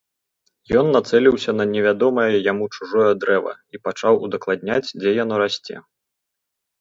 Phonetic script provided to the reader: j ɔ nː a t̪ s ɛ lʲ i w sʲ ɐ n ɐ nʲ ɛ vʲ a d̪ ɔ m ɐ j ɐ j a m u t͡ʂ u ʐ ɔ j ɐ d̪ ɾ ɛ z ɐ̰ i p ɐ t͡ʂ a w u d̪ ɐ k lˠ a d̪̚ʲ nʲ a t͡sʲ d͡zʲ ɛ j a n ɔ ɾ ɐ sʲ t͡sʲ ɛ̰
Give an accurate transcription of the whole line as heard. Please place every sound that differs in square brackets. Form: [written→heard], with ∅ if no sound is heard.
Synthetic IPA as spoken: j ɔ nː a t̪ s ɛ lʲ i w sʲ ɐ n ɐ nʲ ɛ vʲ a d̪ ɔ m ɐ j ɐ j a m u t͡ʂ u ʐ ɔ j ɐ d̪ ɾ ɛ [z→v] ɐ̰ i p [ɐ→a] t͡ʂ a w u d̪ ɐ k lˠ a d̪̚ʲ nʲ a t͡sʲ d͡zʲ ɛ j a n ɔ ɾ [ɐ→a] sʲ t͡sʲ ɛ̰